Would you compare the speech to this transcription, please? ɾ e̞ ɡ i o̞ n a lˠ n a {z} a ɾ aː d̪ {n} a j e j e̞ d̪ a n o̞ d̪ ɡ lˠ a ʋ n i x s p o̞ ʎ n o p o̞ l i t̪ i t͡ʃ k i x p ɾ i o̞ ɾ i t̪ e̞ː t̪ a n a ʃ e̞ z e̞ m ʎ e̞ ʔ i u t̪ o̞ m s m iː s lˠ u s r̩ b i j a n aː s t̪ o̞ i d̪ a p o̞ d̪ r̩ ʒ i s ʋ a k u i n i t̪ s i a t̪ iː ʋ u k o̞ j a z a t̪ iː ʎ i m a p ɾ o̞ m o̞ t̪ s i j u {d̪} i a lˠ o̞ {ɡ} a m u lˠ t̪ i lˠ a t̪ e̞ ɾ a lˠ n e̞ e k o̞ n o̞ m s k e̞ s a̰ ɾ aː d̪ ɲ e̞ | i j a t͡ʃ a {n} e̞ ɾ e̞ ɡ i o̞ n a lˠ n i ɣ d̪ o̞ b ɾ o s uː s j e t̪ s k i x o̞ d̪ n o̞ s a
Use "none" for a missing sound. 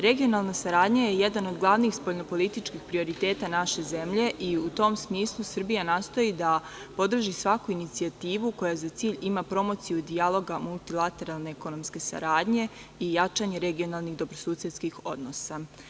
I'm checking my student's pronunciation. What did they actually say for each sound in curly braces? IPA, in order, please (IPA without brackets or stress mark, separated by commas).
s, ɲ, d̪, ɡ, ɲ